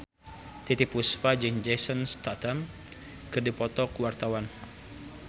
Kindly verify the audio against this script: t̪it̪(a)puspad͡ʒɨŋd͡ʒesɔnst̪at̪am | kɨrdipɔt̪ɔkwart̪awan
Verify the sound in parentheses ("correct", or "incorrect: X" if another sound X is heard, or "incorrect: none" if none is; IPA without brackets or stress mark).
incorrect: i